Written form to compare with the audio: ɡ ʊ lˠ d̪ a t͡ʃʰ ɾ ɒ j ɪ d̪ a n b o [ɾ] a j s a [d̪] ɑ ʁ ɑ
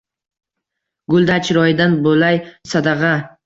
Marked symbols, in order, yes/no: no, yes

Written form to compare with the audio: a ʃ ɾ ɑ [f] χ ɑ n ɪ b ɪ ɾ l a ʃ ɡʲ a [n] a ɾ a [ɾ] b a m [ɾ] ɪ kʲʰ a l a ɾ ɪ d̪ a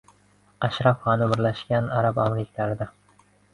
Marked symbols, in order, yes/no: yes, yes, no, yes

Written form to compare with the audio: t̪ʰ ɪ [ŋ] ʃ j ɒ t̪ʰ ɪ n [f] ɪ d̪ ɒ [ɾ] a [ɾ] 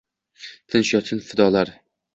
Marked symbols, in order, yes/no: no, yes, no, yes

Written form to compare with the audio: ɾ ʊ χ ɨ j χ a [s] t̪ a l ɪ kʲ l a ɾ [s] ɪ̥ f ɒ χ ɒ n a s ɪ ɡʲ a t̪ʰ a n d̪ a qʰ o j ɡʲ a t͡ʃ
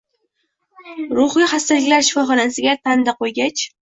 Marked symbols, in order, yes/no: yes, no

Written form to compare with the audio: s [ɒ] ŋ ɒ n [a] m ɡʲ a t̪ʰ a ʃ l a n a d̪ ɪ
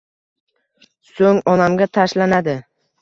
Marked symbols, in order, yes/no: no, yes

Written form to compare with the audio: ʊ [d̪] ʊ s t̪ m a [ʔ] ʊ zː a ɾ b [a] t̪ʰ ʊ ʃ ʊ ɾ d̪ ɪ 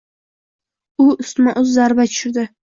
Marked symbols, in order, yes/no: no, yes, yes

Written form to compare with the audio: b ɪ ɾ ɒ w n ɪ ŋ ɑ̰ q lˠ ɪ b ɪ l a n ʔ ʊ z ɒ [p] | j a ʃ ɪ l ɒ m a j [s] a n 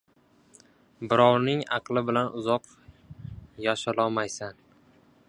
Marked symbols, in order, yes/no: no, yes

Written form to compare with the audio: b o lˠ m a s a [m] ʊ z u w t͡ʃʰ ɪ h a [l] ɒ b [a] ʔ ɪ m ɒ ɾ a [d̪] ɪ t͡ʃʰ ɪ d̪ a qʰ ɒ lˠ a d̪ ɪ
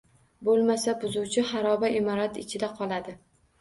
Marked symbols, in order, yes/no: no, no, yes, no

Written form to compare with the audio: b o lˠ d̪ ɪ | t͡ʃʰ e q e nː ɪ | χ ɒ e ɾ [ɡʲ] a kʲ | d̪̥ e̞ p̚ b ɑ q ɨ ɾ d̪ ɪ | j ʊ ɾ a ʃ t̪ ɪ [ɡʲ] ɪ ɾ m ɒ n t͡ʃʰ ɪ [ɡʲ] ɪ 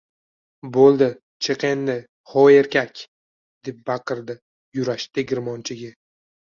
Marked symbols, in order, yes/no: no, yes, yes

